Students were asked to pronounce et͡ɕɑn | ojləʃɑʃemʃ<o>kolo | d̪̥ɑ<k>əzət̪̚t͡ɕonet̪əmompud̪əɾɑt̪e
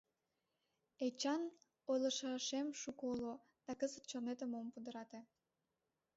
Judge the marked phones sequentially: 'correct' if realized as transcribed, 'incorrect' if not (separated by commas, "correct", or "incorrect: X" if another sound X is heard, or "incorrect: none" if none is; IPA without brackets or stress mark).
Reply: incorrect: u, correct